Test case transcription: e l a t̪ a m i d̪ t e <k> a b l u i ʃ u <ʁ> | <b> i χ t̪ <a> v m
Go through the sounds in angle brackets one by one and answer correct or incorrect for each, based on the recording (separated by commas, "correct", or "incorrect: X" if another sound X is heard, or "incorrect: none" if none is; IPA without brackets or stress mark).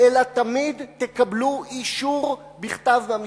correct, correct, correct, correct